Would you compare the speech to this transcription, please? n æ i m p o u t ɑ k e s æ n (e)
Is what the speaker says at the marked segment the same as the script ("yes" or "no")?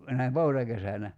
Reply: no